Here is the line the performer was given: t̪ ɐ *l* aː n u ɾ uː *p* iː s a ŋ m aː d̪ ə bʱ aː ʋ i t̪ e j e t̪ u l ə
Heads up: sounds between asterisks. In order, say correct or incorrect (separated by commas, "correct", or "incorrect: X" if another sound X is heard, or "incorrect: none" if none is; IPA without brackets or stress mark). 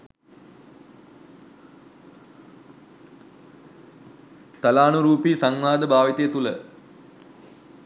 correct, correct